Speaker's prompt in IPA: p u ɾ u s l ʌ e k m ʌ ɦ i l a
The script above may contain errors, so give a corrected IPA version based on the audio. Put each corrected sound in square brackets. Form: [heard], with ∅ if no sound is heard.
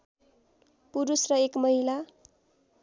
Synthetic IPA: p u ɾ u s [r] ʌ e k m ʌ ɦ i l a